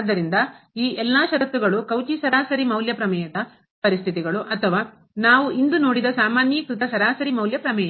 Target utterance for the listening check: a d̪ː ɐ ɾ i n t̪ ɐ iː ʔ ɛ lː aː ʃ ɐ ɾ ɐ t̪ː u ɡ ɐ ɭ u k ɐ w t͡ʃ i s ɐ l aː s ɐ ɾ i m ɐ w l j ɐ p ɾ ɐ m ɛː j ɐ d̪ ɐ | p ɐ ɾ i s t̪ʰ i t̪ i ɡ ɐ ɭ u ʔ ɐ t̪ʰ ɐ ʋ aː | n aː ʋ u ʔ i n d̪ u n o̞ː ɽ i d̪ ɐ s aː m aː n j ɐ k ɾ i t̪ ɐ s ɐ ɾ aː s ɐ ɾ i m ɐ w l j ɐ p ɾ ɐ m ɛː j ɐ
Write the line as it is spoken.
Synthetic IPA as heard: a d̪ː ɐ ɾ i n d̪ ɐ iː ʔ ɛ lː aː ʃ ɐ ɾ ɐ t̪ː u ɡ ɐ ɭ u k ɐ w t͡ʃ i s ɐ ɾ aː s ɐ ɾ i m ɐ w l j ɐ p ɾ ɐ m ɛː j ɐ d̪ ɐ | p ɐ ɾ i s t̪ʰ i t̪ i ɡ ɐ ɭ u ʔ ɐ t̪ʰ ɐ ʋ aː | n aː ʋ u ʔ i n d̪ u n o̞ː ɽ i d̪ ɐ s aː m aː n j ɐ k ɾ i t̪ ɐ s ɐ ɾ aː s ɐ ɾ i m ɐ w l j ɐ p ɾ ɐ m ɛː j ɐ